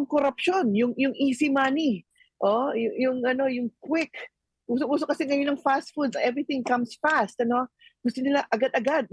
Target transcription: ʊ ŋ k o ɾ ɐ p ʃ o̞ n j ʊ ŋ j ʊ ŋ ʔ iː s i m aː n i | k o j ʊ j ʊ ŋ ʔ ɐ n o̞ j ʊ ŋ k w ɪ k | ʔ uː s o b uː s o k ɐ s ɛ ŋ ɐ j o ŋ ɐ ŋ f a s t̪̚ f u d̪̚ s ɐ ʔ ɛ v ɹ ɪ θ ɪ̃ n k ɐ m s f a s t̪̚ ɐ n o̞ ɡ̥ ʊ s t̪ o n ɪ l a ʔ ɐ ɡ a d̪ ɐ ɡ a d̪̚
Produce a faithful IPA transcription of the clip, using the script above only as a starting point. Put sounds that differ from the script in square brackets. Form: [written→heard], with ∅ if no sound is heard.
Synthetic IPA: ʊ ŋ k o ɾ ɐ p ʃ o̞ n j ʊ ŋ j ʊ ŋ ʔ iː s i m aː n i | [k→ʔ] o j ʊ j ʊ ŋ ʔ ɐ n o̞ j ʊ ŋ k w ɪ k | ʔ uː s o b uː s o k ɐ s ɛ ŋ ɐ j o [ŋ→n] ɐ ŋ f a s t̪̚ f u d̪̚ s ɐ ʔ ɛ v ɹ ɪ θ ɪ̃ [n→ŋ] k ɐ m s f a s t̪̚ ɐ n o̞ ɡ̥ ʊ s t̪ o n ɪ l a ʔ ɐ ɡ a d̪ ɐ ɡ a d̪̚